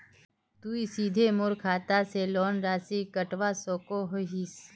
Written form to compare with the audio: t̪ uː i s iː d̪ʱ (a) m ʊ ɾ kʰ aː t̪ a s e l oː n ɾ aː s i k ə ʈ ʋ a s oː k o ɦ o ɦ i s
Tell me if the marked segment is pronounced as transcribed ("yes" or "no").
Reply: no